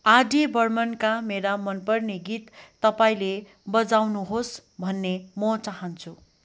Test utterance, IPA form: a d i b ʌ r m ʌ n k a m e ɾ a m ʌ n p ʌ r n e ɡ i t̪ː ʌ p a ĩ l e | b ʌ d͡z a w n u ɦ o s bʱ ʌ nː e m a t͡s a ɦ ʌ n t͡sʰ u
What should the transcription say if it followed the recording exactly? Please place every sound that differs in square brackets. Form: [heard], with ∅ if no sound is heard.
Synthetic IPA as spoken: a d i b ʌ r m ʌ n k a m e ɾ a m ʌ n p ʌ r n e ɡ i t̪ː ʌ p a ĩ l e | b ʌ d͡z a w n u ɦ o s bʱ ʌ nː e m [ʌ] t͡s a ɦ ʌ n t͡sʰ u

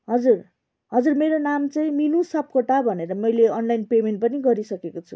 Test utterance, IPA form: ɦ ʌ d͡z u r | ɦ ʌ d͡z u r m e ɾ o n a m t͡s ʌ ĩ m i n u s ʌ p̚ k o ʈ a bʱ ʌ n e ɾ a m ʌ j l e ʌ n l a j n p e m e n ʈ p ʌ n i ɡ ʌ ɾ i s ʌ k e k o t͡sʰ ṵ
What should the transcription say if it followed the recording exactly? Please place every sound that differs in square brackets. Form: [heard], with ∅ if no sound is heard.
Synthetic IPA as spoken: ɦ ʌ d͡z u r | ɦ ʌ d͡z u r m e ɾ o n a m t͡s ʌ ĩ m i n u s ʌ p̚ k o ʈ a bʱ ʌ n e ɾ [ʌ] m ʌ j l e ʌ n l a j n p e m e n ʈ p ʌ n i ɡ ʌ ɾ i s ʌ k e k o t͡sʰ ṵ

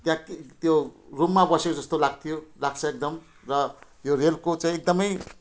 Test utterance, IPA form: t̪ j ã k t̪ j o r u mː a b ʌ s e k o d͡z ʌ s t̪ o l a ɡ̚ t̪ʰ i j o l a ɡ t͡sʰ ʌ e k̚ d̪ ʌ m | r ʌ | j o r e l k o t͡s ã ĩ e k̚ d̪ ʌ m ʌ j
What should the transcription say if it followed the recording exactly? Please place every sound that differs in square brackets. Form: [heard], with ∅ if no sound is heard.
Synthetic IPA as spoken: t̪ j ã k t̪ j o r u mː a b ʌ s e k o d͡z ʌ s t̪ o l a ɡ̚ t̪ʰ i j o l a ɡ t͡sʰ ʌ e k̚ d̪ ʌ m | r ʌ | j o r e l k o t͡s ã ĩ e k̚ d̪ ʌ m ʌ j

